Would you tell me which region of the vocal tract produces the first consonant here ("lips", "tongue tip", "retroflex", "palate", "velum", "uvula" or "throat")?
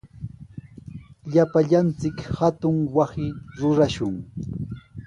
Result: palate